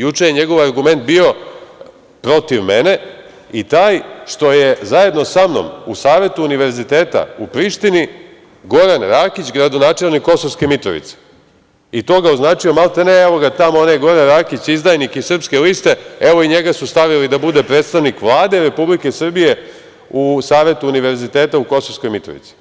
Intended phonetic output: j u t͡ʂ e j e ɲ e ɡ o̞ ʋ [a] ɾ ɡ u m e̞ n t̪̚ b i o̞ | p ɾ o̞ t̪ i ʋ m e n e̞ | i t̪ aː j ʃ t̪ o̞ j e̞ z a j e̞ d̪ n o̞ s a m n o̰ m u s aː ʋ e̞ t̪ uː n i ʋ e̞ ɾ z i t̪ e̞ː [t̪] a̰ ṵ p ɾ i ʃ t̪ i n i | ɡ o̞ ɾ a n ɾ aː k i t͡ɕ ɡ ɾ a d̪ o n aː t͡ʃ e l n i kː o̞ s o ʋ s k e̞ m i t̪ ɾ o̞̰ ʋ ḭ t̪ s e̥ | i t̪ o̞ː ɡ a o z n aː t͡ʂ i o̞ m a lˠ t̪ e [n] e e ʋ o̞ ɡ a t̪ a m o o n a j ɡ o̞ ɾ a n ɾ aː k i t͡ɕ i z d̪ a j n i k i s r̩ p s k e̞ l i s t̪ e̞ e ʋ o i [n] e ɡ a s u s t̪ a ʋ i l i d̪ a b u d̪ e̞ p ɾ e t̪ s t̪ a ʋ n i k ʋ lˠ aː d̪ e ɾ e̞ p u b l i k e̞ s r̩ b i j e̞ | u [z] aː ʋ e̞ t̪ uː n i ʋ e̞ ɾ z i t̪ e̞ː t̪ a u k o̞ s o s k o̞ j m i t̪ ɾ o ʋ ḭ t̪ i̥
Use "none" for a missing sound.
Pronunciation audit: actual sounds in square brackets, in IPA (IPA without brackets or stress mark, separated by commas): a, t̪, n, ɲ, s